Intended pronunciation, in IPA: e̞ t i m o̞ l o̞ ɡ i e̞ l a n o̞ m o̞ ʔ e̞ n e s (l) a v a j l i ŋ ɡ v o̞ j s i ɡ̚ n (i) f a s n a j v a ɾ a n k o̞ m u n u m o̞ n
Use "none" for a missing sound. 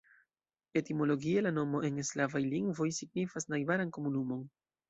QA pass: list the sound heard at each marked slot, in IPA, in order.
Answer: l, i

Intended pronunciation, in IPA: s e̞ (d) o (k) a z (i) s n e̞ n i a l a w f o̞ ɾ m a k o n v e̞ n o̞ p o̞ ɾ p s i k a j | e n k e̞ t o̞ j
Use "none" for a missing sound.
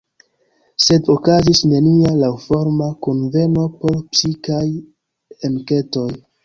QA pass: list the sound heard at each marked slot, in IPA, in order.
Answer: d, k, i

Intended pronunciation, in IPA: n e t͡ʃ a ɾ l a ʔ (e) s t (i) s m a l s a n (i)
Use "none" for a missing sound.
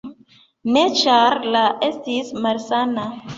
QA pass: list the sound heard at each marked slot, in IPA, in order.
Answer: e, i, a

